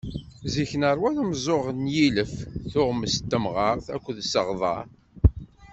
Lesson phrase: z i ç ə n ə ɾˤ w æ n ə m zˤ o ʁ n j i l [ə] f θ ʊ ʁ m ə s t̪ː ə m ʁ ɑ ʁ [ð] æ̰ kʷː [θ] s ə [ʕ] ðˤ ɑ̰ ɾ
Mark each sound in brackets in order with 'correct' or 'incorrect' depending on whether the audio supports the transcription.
correct, incorrect: θ, incorrect: ð, incorrect: ʁ

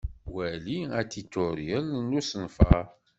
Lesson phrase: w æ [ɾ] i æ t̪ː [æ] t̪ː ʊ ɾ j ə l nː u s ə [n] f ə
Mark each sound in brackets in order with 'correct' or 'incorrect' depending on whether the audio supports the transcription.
incorrect: l, incorrect: i, correct

